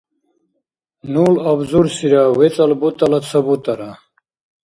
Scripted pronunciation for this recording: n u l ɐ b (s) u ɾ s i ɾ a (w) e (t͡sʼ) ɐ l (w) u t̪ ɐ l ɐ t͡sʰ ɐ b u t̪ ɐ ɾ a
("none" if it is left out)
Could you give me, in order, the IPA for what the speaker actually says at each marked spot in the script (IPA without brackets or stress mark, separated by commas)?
z, w, t͡s, b